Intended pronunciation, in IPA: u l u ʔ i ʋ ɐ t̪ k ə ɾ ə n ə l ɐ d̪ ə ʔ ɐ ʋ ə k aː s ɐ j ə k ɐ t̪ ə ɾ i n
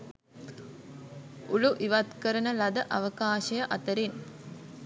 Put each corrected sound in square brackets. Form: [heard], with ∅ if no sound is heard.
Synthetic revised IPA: u l u ʔ i ʋ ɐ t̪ k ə ɾ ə n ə l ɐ d̪ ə ʔ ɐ ʋ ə k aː [ʃ] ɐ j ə [ʔ] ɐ t̪ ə ɾ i n